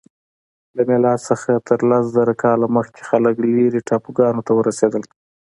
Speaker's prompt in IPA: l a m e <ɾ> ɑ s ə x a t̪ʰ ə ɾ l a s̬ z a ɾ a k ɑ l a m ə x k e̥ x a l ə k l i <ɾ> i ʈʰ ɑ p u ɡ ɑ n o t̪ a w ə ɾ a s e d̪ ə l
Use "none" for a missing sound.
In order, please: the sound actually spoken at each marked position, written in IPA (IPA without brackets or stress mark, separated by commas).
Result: l, ɾ